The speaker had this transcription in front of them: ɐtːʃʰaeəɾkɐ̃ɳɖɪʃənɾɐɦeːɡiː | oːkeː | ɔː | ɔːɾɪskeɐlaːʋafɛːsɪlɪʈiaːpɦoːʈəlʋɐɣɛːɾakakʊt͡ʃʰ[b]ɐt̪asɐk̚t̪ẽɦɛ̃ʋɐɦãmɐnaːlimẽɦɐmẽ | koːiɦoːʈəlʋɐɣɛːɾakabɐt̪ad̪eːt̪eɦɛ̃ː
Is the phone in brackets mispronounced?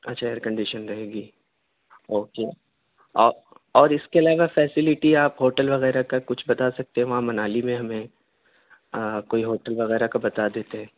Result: no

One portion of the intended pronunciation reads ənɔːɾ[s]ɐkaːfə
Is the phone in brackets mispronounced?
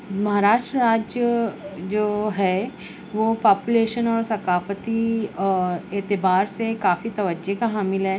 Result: no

